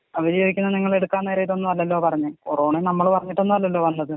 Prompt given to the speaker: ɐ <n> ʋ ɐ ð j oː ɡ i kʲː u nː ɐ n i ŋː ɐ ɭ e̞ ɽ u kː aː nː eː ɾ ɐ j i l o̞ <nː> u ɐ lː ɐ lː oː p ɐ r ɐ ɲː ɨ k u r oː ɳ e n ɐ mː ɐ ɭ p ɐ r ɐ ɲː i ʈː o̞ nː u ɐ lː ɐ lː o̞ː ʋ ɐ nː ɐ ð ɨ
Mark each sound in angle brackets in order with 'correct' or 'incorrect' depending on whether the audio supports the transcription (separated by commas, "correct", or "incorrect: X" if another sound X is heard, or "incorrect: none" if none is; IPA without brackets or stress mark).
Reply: incorrect: none, correct